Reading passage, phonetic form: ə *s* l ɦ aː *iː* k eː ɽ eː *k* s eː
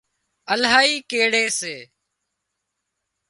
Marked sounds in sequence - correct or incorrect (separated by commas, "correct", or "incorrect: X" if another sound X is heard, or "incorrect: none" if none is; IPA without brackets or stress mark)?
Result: incorrect: none, correct, incorrect: none